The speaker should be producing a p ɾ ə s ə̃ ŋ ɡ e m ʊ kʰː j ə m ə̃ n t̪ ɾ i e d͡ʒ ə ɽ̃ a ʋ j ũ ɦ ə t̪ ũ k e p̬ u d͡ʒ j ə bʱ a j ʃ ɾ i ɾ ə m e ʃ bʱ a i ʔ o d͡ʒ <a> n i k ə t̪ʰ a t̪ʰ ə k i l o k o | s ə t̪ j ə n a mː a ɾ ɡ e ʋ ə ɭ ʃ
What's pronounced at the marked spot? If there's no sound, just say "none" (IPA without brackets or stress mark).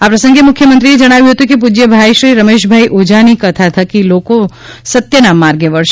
a